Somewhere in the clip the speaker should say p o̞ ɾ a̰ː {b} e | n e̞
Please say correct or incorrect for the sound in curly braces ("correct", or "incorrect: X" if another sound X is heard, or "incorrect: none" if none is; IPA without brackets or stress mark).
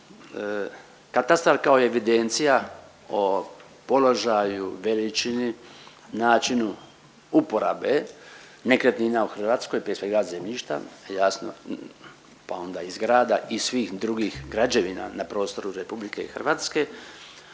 correct